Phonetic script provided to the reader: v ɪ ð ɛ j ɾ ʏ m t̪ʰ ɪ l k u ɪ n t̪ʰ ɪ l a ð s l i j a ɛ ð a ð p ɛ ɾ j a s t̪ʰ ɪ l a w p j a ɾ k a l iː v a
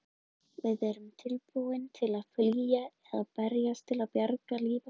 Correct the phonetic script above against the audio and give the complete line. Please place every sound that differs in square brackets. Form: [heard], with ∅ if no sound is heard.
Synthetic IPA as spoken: v ɪ ð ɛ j ɾ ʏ m t̪ʰ ɪ l [p] u ɪ n t̪ʰ ɪ l a ð [f] l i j a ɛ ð a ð p ɛ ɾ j a s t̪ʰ ɪ l a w p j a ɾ k a l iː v a